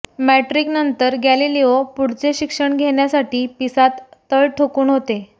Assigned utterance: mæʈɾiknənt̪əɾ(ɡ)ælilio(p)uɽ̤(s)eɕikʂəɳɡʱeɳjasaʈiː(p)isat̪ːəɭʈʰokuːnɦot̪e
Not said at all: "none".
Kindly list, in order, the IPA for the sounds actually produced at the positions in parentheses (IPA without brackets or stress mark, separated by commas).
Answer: ɡ, p, t͡s, p